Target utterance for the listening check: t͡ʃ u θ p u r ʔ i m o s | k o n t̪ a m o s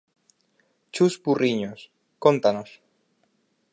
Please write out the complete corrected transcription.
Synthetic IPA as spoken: t͡ʃ u s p u r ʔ i ɲ o s | k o n t̪ a n o s